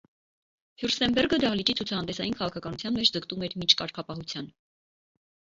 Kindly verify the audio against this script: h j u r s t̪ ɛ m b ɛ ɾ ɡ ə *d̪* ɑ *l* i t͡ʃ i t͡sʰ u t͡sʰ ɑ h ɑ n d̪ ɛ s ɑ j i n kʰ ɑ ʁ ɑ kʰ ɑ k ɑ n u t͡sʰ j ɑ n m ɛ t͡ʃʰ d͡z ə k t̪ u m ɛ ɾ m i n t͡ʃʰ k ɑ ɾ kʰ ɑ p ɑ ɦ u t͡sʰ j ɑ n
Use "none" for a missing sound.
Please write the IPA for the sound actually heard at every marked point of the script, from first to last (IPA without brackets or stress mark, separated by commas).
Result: d̪, l